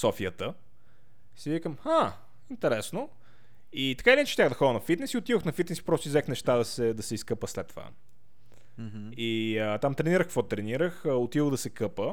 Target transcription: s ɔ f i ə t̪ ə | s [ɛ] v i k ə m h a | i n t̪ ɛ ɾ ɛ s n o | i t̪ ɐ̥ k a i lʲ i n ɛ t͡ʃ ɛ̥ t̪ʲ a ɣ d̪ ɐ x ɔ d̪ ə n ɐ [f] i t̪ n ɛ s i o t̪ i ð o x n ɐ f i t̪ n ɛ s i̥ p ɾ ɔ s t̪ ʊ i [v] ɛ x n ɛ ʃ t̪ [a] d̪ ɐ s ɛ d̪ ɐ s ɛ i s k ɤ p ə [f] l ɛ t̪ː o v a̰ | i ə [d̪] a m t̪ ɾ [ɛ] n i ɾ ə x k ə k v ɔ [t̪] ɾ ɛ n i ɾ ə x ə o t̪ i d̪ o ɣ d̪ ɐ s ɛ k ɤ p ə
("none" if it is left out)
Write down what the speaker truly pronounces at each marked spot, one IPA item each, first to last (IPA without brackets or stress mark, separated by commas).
i, f, z, a, s, t̪, ɛ, t̪